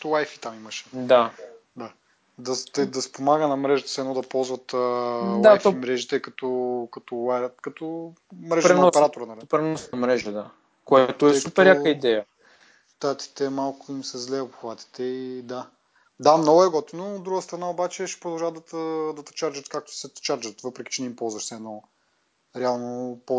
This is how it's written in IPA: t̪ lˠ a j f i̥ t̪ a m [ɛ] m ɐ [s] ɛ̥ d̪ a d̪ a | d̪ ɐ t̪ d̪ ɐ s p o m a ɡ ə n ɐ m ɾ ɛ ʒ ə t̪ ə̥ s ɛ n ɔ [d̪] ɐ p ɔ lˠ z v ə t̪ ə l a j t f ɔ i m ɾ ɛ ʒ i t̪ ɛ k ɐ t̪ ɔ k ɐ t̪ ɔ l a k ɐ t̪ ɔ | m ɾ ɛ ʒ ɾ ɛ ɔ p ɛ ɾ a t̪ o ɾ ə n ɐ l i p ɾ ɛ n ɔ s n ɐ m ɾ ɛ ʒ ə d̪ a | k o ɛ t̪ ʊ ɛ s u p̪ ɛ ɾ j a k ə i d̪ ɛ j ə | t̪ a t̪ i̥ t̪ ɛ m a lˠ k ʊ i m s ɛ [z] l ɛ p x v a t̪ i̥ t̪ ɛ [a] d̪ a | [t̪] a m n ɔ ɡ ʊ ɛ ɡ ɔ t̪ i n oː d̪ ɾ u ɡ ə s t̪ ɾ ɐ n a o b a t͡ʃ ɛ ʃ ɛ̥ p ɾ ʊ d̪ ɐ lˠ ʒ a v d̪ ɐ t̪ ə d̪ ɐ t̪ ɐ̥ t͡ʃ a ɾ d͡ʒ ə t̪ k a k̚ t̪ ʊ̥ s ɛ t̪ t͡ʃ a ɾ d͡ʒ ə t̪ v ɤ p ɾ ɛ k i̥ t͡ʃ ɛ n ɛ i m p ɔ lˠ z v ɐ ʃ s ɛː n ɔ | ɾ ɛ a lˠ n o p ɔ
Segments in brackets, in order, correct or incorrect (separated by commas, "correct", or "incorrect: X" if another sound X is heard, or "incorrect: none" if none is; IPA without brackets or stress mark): incorrect: i, incorrect: ʃ, correct, correct, incorrect: i, incorrect: d̪